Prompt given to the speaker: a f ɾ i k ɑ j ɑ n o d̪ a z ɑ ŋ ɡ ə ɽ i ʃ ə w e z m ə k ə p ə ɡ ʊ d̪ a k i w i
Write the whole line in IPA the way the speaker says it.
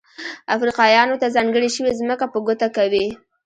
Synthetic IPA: a f ɾ i q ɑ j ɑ n o t̪ a z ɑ ŋ ɡ ə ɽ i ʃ ə w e z m ə k a p ə ɡ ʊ t̪ a k a w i